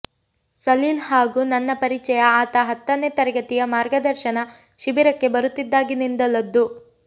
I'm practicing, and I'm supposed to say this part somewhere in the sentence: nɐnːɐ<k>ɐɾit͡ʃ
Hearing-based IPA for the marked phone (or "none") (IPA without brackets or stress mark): p